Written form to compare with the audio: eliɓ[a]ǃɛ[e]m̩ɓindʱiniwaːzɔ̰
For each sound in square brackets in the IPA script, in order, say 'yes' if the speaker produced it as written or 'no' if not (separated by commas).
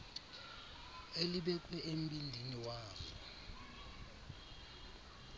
no, yes